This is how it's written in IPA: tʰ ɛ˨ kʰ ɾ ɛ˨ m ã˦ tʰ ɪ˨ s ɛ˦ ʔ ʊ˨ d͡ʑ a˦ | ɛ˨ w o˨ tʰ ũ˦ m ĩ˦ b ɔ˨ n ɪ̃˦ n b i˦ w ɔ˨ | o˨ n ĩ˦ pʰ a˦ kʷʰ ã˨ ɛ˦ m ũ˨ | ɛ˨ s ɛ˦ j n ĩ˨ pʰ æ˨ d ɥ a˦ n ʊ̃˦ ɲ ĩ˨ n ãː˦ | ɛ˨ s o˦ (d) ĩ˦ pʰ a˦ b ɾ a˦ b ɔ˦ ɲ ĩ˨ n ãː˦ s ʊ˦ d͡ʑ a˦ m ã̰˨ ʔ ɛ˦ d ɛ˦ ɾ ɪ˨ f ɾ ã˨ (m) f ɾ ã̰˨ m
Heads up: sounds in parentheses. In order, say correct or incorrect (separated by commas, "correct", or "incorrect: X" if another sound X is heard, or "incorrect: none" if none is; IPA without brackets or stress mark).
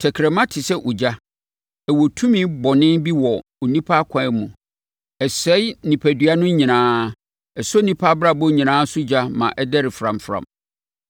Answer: incorrect: n, correct